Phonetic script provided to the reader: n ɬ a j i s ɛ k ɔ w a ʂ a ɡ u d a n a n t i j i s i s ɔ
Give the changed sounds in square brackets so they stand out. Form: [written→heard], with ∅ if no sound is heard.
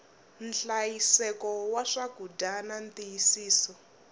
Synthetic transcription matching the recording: n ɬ a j i s ɛ k ɔ w a ʂ a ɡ u d a n a n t i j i s [i→iː] s ɔ